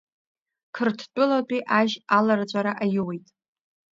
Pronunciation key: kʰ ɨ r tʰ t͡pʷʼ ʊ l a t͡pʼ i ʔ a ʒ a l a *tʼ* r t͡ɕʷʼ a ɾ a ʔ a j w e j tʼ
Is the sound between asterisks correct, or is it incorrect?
incorrect